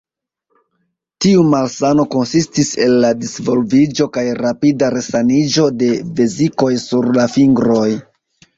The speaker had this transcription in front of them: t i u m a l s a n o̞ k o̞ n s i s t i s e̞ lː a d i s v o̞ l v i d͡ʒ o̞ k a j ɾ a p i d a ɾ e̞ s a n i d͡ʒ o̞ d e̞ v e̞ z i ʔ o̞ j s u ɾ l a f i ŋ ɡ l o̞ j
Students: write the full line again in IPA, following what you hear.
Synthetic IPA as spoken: t i u m a l s a n o̞ k o̞ n s i s t i s e̞ lː a d i s v o̞ l v i d͡ʒ o̞ k a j ɾ a p i d a ɾ e̞ s a n i d͡ʒ o̞ d e̞ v e̞ z i k o̞ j s u ɾ l a f i ŋ ɡ ɾ o̞ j